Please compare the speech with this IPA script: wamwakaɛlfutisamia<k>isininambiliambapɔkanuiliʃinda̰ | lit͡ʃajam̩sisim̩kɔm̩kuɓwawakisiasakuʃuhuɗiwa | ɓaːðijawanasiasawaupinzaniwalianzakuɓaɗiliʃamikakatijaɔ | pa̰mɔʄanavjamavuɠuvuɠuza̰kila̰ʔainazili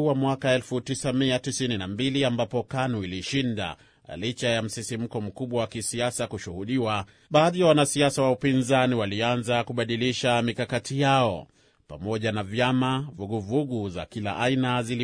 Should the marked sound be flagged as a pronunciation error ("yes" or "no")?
yes